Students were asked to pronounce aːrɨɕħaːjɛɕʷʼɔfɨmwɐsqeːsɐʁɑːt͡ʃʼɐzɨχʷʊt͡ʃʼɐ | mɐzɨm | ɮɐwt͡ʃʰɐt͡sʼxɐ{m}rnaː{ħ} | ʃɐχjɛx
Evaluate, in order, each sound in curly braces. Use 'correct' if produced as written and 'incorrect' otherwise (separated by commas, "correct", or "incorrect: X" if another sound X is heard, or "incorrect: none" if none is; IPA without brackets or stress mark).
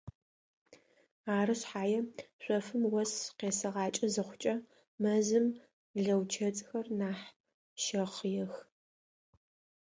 incorrect: none, correct